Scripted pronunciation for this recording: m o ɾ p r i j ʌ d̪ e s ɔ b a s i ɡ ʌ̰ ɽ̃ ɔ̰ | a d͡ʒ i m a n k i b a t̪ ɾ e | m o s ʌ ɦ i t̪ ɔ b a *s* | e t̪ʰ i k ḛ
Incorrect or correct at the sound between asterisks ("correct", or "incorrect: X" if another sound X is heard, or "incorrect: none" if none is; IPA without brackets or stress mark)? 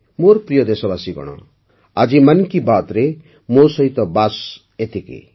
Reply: correct